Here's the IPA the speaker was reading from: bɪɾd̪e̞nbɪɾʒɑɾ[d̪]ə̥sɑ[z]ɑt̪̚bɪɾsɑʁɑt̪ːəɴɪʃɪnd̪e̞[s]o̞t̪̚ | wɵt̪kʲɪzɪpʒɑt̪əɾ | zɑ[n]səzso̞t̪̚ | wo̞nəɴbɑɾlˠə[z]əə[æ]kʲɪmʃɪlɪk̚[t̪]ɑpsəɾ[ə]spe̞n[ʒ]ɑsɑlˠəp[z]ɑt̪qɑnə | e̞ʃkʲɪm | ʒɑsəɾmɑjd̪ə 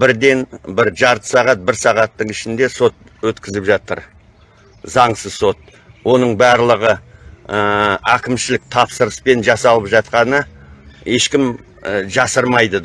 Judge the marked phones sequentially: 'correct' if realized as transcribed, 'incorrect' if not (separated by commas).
incorrect, incorrect, correct, incorrect, incorrect, correct, incorrect, correct, correct, incorrect